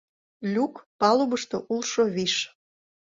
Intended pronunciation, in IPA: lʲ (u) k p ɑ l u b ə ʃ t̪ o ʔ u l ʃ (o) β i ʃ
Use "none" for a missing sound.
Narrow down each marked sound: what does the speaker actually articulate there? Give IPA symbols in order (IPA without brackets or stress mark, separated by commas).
u, o